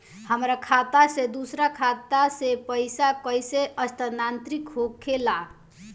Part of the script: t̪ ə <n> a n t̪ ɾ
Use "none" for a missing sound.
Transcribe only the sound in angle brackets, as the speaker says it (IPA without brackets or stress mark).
n